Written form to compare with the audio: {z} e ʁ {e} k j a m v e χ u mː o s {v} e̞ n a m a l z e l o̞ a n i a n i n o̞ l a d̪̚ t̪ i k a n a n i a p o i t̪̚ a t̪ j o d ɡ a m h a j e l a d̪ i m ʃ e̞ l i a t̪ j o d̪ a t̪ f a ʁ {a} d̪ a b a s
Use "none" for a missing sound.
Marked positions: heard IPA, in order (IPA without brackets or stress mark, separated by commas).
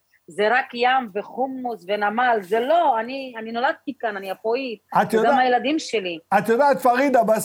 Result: z, a, v, i